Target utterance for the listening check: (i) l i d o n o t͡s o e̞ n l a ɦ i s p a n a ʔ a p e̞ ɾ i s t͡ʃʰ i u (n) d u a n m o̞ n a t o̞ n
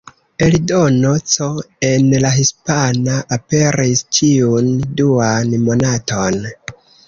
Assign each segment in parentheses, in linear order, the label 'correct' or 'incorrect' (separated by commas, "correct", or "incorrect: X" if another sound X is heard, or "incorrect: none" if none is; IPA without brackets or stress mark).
incorrect: e, correct